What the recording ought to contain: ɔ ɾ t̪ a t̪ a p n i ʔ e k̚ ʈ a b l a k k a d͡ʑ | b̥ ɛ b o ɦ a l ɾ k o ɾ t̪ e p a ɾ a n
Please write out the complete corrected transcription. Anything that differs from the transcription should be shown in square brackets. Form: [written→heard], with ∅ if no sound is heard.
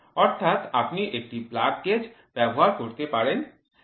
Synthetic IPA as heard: ɔ ɾ [t̪→t̪ʰ] a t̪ a p n i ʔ e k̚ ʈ [a→i] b l a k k [a→e] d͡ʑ | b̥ ɛ b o ɦ a [l→∅] ɾ k o ɾ t̪ e p a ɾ [a→e] n